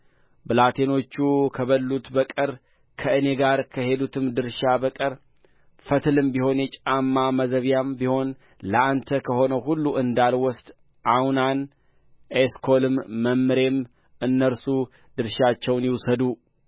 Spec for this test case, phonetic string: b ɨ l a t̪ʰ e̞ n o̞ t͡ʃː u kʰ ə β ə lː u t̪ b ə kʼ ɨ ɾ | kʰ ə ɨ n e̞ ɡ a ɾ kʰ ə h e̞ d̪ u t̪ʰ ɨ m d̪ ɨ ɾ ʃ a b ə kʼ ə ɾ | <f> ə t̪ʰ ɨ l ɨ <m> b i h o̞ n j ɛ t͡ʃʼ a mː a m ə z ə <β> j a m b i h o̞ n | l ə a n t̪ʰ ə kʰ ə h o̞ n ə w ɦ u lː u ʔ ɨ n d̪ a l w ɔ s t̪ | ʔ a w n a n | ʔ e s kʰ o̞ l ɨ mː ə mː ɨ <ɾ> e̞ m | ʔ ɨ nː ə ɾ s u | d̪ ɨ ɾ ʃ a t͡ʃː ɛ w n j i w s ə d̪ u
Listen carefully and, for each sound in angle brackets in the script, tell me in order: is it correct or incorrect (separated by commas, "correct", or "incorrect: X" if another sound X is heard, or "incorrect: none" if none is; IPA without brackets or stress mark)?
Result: correct, correct, correct, correct